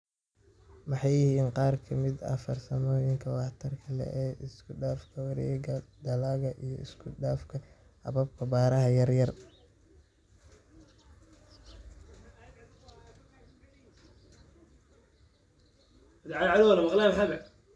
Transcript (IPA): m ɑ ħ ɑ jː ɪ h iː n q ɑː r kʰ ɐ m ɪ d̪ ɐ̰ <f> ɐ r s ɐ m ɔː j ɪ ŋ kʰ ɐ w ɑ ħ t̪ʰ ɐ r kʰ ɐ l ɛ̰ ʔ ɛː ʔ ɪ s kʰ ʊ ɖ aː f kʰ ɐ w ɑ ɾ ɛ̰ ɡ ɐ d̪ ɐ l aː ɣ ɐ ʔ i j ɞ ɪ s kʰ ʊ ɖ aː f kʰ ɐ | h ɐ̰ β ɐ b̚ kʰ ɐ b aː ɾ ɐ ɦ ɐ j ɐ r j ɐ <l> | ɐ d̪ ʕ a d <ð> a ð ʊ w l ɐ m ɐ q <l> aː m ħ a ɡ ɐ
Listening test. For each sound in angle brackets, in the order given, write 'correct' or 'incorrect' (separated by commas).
correct, incorrect, incorrect, correct